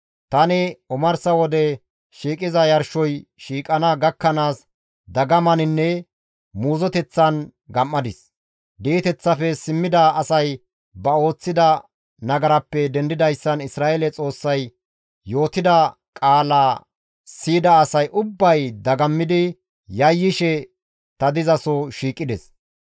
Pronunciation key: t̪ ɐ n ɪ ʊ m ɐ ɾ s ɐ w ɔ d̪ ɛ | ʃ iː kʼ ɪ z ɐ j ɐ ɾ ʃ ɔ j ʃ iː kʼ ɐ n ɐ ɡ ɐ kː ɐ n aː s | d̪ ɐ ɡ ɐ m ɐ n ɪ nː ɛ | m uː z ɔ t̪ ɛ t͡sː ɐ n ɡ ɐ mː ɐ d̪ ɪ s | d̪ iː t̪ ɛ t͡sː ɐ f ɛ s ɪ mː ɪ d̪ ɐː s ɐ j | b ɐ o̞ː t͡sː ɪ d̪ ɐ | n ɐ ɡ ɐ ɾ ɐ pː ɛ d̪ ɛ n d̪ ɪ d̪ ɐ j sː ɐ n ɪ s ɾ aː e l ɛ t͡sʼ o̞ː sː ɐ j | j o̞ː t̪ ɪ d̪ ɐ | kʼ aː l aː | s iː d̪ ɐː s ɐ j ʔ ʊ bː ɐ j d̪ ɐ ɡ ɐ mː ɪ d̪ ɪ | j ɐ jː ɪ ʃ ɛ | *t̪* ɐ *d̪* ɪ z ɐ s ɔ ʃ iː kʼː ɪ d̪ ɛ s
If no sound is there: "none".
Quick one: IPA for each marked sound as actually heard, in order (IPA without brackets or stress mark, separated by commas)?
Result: t̪, d̪